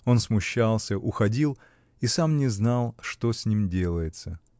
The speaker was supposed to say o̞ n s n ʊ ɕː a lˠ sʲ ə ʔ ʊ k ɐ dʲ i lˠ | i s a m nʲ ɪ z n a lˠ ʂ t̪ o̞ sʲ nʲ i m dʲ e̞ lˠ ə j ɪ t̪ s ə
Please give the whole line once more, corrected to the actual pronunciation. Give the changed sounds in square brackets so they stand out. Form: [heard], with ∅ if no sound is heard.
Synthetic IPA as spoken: o̞ n s [m] ʊ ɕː a lˠ sʲ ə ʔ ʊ [x] ɐ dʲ i lˠ | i s a m nʲ ɪ z n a lˠ ʂ t̪ o̞ sʲ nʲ i m dʲ e̞ lˠ ə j ɪ t̪ s ə